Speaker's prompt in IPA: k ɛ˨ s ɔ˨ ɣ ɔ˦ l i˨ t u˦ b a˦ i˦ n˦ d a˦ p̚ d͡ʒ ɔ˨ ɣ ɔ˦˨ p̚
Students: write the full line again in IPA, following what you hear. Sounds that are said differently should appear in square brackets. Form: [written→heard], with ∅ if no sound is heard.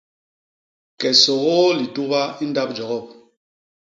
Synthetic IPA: k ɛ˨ s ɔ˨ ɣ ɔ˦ l i˨ t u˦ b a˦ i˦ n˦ d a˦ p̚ d͡ʒ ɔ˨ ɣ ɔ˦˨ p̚

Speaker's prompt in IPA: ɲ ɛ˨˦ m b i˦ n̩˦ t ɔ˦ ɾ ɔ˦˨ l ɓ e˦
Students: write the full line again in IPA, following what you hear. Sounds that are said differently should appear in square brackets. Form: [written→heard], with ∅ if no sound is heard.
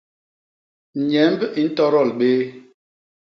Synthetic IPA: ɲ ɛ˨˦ m b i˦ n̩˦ t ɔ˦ ɾ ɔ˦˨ l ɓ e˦

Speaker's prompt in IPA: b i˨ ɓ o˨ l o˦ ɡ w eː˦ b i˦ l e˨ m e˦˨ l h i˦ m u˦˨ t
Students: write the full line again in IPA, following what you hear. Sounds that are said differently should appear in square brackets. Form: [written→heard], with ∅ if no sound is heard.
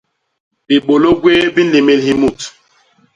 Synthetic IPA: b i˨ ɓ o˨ l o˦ ɡ w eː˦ b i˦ l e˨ m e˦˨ l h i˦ m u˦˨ t

